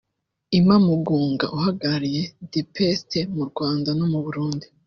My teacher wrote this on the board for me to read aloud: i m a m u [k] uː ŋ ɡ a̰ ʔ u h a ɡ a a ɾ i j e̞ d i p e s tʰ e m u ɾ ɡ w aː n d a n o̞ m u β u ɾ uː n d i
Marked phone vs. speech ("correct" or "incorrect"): incorrect